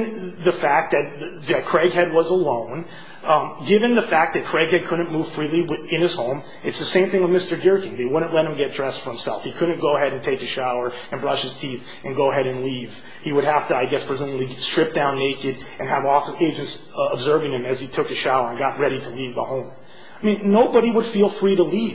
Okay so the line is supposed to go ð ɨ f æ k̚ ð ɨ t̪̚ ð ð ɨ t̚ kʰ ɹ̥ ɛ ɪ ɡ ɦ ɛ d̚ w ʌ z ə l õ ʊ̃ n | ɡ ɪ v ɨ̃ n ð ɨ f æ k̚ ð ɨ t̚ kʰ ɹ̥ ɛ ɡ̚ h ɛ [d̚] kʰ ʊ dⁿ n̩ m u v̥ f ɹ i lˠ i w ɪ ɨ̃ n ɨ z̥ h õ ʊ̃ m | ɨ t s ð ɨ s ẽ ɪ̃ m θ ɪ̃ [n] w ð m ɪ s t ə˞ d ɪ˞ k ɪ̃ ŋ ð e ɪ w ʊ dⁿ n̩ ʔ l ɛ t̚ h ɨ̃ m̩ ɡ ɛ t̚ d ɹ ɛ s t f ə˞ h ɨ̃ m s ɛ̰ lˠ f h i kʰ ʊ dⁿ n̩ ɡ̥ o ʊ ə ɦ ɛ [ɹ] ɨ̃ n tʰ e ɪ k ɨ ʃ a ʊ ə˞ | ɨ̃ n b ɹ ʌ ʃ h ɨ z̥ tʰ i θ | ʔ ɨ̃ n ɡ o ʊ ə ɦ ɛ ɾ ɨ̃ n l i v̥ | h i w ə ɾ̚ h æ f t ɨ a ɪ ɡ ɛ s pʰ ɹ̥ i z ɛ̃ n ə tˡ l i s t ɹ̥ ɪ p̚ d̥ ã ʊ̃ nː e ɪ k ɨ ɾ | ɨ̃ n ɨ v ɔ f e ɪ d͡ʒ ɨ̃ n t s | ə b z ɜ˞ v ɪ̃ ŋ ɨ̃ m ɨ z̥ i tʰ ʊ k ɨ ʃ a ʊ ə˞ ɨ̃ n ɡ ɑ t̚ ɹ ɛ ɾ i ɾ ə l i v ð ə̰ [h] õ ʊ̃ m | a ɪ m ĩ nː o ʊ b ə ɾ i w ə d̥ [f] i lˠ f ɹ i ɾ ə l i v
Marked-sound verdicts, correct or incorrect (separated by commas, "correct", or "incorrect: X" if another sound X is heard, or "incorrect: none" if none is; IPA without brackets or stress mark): correct, incorrect: ŋ, incorrect: ɾ, correct, correct